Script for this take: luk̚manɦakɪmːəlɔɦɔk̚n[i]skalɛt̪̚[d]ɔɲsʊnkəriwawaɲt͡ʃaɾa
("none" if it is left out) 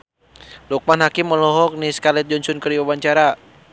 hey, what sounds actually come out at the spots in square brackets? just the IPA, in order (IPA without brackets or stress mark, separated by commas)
i, d͡ʒ